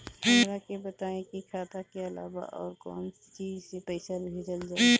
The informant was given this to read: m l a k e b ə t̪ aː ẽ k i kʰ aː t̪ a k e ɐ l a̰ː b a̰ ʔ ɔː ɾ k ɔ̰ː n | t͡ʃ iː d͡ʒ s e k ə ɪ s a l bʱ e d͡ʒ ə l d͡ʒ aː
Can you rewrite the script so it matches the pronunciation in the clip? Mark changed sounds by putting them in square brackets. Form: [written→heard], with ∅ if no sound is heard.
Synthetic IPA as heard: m [l→ɾ] a k e b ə t̪ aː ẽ k i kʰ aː t̪ a k e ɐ l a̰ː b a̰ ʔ ɔː ɾ k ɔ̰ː n | t͡ʃ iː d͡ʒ s e [k→p] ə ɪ s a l bʱ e d͡ʒ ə l d͡ʒ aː

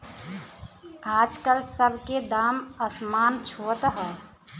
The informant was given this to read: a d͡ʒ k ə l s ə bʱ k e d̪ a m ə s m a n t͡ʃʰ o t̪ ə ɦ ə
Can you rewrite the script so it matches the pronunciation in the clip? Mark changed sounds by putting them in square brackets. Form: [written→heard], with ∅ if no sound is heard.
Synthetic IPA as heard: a d͡ʒ k ə l s ə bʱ k e d̪ a m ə s m a n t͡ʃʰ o t̪ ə ɦ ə

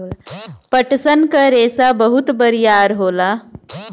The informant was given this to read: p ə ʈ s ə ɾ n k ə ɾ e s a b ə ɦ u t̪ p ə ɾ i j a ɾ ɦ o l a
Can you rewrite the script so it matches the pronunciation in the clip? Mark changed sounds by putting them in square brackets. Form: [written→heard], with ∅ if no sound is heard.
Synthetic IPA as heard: p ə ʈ s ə [ɾ→∅] n k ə ɾ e s a b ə ɦ u t̪ [p→b] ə ɾ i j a ɾ ɦ o l a

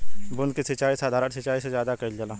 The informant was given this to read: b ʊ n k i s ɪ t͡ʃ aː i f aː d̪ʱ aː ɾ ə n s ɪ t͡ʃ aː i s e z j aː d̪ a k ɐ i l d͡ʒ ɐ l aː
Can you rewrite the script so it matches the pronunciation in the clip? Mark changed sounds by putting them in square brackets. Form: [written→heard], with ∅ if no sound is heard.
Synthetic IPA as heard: b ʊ n k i s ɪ t͡ʃ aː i [f→s] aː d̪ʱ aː ɾ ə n s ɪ t͡ʃ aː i s e z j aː d̪ a k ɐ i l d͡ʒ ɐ l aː

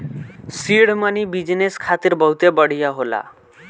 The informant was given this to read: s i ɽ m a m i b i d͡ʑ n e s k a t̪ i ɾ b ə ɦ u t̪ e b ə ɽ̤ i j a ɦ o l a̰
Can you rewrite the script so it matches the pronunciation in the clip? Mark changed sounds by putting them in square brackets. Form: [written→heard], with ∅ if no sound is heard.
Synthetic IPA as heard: s i ɽ m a [m→n] i b i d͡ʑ n e s [k→kʰ] a t̪ i ɾ b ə ɦ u t̪ e b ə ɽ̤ i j a ɦ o l a̰

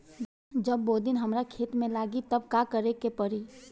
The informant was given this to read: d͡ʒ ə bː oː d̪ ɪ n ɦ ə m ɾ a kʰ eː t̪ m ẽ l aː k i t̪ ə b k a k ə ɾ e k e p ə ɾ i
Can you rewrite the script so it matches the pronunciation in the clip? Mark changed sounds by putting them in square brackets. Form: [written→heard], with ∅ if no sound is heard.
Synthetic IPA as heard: d͡ʒ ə bː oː d̪ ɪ n ɦ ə m ɾ a kʰ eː t̪ m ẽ l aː [k→ɡ] i t̪ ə b k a k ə ɾ e k e p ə ɾ i

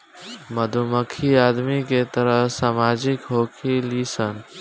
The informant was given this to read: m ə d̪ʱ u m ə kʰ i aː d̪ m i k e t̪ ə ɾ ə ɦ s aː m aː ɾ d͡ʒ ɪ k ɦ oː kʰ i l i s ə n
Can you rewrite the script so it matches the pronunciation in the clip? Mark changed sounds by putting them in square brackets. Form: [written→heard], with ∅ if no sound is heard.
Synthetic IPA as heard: m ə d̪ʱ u m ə kʰ i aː d̪ m i k e t̪ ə ɾ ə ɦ s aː m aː [ɾ→∅] d͡ʒ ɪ k ɦ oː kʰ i l i s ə n

